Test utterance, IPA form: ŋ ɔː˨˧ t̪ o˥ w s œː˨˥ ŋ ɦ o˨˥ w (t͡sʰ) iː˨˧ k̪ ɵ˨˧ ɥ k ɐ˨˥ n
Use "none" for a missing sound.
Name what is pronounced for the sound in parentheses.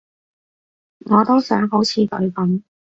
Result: t͡sʰ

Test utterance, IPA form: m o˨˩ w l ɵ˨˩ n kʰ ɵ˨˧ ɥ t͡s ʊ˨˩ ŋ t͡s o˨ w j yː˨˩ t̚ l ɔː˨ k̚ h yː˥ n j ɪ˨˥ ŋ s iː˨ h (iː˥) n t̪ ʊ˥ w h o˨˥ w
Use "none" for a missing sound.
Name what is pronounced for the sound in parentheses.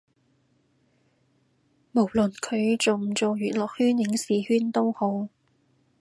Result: yː˥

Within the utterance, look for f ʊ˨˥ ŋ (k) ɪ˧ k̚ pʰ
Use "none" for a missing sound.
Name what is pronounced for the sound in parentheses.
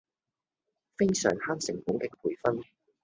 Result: k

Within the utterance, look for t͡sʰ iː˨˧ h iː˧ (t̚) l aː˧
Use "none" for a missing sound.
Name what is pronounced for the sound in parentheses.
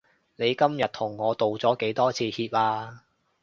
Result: p̚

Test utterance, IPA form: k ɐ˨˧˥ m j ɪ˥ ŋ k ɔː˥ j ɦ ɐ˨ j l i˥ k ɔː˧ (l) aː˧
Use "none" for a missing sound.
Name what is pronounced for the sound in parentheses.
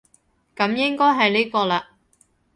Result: l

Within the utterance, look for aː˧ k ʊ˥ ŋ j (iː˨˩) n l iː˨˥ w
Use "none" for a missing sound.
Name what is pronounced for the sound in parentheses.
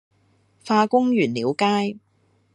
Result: yː˨˩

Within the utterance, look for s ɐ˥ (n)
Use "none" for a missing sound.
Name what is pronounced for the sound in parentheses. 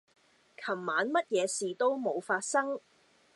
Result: ŋ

